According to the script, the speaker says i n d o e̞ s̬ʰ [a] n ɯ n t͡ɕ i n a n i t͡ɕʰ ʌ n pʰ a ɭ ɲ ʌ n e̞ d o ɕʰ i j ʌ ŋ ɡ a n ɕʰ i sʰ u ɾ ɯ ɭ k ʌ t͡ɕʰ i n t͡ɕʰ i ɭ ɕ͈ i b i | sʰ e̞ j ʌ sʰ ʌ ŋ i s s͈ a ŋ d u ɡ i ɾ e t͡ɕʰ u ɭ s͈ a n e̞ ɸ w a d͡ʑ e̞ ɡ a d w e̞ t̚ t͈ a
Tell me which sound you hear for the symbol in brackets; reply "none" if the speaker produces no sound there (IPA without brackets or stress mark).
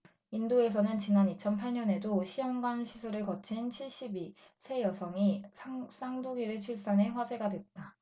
ʌ